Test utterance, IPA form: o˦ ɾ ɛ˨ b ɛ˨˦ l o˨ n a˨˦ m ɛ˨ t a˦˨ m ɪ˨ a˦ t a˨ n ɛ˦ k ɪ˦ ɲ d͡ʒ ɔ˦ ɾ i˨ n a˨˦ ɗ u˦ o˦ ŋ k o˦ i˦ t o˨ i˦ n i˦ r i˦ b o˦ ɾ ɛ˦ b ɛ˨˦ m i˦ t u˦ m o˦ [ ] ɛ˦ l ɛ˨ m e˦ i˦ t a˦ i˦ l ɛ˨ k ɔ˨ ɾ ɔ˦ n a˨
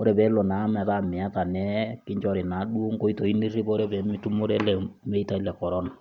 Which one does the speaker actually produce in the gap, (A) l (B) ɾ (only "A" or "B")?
B